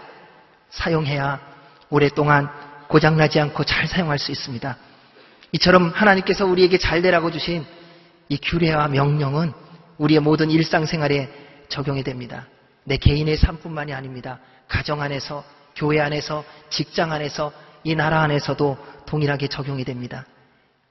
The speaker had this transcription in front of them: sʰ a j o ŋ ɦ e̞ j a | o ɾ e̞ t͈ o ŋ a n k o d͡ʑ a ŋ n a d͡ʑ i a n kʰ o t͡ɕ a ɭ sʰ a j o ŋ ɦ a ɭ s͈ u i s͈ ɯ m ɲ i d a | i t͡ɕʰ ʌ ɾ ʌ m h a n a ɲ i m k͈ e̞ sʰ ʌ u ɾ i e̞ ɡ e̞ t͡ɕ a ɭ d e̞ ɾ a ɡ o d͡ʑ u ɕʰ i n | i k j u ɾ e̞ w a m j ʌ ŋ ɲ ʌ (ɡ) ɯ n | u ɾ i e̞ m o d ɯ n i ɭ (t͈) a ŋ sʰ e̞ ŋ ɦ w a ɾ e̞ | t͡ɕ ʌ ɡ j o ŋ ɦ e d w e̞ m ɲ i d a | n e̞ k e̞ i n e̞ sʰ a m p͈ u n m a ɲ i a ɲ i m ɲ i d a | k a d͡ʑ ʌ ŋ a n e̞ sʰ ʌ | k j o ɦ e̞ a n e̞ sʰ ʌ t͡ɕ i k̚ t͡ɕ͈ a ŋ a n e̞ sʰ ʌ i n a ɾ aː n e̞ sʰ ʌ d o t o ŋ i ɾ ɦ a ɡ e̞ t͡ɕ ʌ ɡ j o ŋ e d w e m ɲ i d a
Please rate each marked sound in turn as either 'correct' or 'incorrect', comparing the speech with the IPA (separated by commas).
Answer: incorrect, incorrect